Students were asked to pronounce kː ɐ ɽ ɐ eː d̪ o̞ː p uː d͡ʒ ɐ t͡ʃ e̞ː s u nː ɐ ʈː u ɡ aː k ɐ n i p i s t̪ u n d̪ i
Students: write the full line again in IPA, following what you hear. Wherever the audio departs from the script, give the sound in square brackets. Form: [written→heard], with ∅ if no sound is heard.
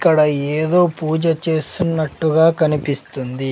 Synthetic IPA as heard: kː ɐ ɽ ɐ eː d̪ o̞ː p uː d͡ʒ ɐ t͡ʃ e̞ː s u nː ɐ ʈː u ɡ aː k ɐ n i p i s t̪ u n d̪ i